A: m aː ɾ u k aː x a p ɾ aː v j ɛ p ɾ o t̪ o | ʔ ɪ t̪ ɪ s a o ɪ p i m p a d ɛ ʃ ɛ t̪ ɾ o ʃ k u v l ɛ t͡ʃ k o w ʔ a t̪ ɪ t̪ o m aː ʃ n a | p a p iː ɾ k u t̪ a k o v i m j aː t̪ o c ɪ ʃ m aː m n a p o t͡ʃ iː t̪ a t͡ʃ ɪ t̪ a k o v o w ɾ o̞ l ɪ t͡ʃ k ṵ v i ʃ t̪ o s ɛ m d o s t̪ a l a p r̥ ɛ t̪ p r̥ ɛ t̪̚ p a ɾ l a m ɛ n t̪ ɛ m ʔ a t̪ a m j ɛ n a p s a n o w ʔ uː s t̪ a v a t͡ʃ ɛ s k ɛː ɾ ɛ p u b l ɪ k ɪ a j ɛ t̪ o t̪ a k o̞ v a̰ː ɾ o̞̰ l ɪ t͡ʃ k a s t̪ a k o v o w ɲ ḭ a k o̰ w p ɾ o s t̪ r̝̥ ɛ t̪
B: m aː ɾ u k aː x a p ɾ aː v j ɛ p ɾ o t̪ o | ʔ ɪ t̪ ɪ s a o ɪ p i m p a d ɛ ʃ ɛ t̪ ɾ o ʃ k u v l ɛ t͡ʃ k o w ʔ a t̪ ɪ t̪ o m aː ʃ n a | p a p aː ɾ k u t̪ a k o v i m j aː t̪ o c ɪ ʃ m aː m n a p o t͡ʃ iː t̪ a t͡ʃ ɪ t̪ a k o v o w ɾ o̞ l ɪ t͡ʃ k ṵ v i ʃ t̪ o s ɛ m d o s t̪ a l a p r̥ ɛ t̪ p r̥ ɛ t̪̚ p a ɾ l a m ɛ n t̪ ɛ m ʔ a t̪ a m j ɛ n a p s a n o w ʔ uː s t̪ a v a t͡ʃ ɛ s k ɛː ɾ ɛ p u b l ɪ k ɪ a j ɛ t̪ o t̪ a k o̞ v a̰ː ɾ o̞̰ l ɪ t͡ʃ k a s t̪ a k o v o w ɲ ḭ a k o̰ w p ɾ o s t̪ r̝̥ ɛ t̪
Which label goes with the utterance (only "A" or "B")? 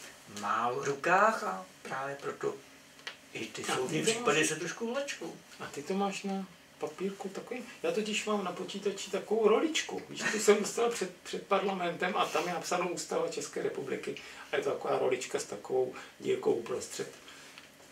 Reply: A